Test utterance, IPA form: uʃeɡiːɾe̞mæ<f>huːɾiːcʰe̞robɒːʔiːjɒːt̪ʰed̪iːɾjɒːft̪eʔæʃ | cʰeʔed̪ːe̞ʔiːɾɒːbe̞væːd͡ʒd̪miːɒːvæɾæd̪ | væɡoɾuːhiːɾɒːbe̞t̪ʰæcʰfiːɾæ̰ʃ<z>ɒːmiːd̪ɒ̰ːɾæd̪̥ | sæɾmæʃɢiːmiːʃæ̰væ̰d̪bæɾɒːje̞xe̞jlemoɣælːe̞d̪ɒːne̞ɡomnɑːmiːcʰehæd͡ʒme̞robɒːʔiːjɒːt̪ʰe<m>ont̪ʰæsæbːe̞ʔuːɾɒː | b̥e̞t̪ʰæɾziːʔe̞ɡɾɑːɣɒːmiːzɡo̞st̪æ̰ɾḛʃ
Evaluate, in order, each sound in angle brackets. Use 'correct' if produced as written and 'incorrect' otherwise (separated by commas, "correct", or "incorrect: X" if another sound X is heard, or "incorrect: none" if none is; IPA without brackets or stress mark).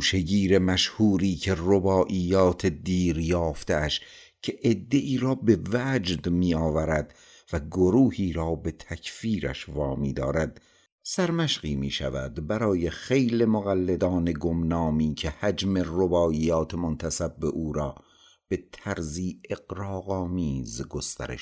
incorrect: ʃ, incorrect: v, correct